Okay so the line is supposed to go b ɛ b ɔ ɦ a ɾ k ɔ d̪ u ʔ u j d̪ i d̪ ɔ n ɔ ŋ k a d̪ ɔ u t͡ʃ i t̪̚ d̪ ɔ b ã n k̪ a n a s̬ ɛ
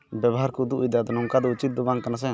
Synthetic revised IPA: b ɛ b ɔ ɦ a ɾ k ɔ d̪ u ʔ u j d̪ a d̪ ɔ n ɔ ŋ k a d̪ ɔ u t͡ʃ i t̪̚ d̪ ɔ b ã ŋ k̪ a n a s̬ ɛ